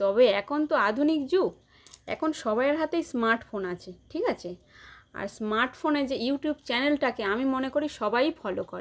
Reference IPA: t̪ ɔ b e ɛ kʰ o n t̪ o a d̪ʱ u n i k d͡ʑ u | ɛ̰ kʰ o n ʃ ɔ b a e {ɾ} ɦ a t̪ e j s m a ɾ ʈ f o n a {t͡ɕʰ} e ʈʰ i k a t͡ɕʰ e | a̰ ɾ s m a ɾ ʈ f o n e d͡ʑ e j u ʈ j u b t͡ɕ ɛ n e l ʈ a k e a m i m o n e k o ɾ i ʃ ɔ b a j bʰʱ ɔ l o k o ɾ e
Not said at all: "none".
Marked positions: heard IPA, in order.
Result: ɾ, t͡ɕʰ

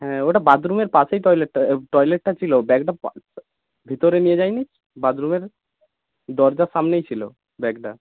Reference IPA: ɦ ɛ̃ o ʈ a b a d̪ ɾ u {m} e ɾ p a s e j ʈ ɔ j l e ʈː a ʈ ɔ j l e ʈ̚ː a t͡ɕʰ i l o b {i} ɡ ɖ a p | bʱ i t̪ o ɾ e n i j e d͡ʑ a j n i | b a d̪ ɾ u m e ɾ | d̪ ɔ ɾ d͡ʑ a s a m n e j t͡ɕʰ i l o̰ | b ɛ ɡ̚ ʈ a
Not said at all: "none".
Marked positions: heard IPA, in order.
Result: m, ɛ

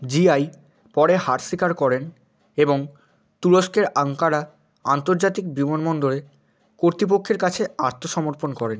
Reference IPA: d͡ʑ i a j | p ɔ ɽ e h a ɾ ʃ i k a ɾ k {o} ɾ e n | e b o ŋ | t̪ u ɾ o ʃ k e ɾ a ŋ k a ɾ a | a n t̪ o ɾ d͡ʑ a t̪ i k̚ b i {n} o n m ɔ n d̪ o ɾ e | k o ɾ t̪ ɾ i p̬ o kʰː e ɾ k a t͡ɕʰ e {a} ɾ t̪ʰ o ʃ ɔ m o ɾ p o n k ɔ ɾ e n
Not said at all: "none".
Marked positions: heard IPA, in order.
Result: ɔ, m, a

